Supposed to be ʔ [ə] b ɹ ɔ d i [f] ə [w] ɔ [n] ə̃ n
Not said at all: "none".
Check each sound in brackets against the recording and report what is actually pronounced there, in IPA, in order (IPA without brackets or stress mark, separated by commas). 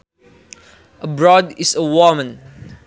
ə, s, w, m